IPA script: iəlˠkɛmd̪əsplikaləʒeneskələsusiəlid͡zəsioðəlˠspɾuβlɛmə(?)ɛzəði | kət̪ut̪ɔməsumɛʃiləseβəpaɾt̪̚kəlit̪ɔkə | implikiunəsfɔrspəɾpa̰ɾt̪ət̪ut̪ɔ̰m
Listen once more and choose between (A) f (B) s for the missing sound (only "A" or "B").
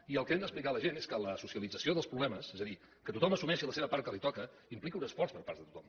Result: B